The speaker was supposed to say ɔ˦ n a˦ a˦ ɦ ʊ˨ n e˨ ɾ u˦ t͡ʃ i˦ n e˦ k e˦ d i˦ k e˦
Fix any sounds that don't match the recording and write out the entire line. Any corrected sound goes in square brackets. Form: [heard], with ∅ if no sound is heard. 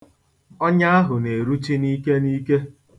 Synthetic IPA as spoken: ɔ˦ [ɲ] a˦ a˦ ɦ ʊ˨ n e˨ ɾ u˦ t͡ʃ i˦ n [i˦] k e˦ [n] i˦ k e˦